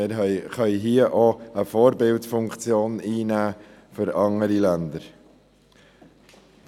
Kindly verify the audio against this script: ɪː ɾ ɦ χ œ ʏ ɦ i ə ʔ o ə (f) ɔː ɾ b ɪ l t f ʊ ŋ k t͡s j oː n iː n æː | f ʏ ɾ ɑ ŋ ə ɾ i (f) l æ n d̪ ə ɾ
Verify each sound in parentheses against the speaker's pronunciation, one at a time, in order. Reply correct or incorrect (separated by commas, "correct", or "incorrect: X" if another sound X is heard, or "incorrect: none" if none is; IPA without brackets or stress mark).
correct, incorrect: none